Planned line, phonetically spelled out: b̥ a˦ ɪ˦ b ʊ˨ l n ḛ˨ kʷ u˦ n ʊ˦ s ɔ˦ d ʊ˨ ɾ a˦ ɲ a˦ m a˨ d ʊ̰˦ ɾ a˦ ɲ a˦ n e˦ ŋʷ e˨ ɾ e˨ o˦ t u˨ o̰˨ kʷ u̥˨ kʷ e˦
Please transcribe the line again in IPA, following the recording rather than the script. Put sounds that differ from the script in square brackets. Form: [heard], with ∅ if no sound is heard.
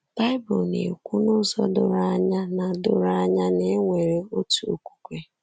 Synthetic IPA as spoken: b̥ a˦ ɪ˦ b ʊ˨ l n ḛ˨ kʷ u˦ n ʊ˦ [z] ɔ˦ d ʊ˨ ɾ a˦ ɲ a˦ [n] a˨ d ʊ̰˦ ɾ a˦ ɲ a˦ n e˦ ŋʷ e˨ ɾ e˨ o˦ t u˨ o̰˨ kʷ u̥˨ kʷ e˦